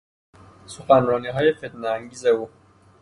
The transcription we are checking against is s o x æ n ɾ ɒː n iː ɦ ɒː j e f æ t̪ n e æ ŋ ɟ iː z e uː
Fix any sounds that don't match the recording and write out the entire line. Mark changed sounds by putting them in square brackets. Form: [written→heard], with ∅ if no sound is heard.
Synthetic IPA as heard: s o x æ n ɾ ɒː n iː ɦ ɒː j e f [æ→e] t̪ n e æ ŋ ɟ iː z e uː